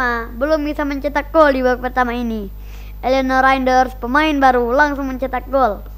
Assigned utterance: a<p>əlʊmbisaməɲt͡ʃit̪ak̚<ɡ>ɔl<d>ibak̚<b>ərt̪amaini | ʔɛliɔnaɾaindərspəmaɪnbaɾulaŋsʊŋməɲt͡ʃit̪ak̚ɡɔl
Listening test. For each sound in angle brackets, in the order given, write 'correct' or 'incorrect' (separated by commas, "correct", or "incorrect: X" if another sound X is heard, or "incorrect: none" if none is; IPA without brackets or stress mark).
incorrect: b, correct, correct, incorrect: p